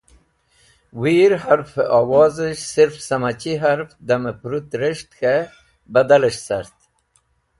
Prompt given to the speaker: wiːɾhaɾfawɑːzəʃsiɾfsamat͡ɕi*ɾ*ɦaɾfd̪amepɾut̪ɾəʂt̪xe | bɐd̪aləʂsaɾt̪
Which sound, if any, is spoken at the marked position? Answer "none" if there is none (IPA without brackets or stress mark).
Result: none